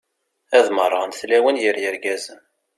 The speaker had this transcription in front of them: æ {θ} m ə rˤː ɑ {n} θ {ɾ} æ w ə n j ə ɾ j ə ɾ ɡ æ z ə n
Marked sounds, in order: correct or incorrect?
incorrect: ð, correct, incorrect: l

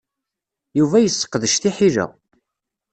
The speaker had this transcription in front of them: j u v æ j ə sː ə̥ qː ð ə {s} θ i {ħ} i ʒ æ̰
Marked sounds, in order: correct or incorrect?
incorrect: ʃ, correct

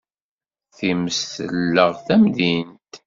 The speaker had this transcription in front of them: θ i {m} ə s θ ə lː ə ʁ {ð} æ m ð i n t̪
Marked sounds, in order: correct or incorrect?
correct, incorrect: θ

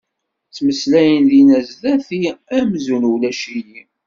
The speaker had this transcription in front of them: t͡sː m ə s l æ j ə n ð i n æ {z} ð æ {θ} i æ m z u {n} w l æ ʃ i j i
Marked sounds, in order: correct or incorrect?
correct, correct, correct

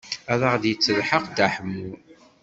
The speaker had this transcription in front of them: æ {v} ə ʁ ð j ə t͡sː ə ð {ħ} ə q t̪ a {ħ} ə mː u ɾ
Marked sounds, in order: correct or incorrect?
incorrect: ð, correct, correct

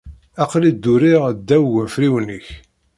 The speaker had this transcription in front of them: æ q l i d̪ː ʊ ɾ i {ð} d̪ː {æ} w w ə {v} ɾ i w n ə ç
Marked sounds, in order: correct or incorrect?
incorrect: ʁ, correct, incorrect: f

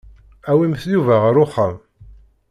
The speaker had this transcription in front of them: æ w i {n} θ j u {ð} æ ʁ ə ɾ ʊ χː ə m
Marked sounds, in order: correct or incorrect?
incorrect: m, incorrect: v

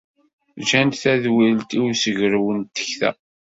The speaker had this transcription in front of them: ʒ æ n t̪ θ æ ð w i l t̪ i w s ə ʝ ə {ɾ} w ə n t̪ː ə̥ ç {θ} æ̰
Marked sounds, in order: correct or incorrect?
correct, correct

